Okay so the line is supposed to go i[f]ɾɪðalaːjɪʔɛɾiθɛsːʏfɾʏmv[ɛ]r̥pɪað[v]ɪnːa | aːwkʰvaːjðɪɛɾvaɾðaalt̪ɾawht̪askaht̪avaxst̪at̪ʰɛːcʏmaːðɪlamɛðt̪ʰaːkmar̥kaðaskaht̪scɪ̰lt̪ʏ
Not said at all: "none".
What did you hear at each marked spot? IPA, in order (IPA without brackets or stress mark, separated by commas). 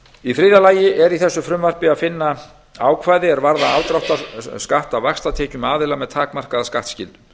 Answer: f, a, f